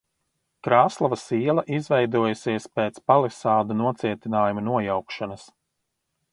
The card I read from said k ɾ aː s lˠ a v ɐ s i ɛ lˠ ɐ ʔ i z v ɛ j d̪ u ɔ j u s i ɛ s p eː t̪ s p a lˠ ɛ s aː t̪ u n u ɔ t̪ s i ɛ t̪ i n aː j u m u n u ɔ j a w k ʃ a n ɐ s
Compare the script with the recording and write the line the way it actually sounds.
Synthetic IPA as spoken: k ɾ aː s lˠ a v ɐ s i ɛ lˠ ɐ ʔ i z v ɛ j d̪ u ɔ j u s i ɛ s p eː t̪ s p a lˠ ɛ s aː d̪ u n u ɔ t̪ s i ɛ t̪ i n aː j u m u n u ɔ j a w k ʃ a n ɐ s